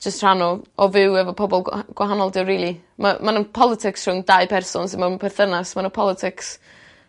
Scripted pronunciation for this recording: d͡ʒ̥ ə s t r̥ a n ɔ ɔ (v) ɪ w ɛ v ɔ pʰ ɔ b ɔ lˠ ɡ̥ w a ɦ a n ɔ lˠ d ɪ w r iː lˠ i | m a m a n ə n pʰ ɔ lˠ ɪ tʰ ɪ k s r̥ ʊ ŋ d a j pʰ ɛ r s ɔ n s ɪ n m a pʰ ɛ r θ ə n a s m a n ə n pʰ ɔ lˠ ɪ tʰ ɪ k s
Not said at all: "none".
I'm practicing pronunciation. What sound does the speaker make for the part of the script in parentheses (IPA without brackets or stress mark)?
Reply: v